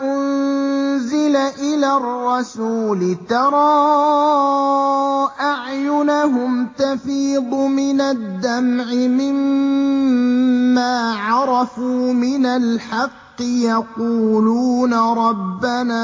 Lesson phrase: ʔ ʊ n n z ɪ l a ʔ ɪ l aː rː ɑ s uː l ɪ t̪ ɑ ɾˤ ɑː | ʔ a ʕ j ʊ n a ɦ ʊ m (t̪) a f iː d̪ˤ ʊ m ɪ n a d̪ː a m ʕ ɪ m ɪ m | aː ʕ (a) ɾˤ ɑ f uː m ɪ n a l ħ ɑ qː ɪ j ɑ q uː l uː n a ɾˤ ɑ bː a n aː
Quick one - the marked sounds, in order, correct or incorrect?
correct, incorrect: ɑ

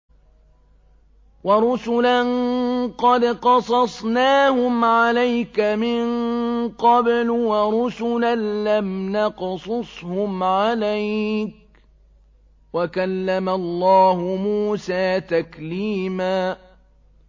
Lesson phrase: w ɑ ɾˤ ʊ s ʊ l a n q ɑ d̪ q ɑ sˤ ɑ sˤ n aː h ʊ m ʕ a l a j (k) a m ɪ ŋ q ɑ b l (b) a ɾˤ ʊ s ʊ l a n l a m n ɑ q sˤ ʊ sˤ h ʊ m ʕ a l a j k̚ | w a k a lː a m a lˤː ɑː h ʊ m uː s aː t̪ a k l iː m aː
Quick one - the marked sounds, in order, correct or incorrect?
correct, incorrect: w

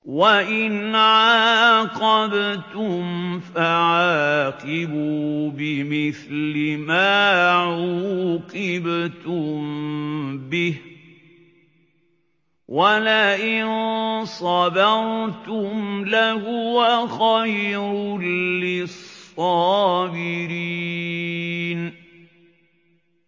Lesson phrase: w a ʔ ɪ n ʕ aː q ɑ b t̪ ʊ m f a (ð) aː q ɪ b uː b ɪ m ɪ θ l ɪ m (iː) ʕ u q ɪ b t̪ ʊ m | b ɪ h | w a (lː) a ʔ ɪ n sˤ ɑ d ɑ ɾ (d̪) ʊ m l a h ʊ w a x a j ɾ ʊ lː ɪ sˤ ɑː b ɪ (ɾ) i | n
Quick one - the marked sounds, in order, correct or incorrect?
incorrect: ʕ, incorrect: aː, incorrect: l, incorrect: t̪, correct

